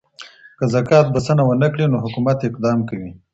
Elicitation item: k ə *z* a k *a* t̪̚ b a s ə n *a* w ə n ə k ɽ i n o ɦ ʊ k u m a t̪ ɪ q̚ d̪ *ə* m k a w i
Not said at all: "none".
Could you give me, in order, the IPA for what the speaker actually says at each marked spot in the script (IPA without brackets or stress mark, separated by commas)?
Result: z, ɑ, a, ɑ